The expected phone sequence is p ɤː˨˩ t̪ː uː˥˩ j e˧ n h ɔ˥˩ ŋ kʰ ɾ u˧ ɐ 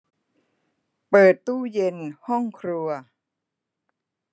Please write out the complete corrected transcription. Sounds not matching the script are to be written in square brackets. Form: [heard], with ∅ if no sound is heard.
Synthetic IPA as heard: p ɤː˨˩ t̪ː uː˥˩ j e˧ n h ɔ˥˩ ŋ kʰ ɾ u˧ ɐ